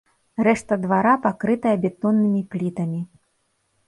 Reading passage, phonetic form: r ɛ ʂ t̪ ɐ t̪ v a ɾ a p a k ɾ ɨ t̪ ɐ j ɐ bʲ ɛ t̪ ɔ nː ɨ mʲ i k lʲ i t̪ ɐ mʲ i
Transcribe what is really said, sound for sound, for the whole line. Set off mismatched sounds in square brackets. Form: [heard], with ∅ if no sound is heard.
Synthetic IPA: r ɛ ʂ t̪ ɐ [d̪] v a ɾ a p a k ɾ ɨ t̪ ɐ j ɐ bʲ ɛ t̪ ɔ nː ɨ mʲ i [p] lʲ i t̪ ɐ mʲ i